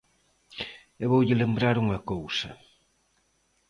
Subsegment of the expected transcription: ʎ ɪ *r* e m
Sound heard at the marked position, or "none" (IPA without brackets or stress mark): l